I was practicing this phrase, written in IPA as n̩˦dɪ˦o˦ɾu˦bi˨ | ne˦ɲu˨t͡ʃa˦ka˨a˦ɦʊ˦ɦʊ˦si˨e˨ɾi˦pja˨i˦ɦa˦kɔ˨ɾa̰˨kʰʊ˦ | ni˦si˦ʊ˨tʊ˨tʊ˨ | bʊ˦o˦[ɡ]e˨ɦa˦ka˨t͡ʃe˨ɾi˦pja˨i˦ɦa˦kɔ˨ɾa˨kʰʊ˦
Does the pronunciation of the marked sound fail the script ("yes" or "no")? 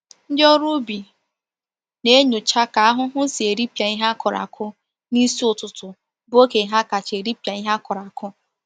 yes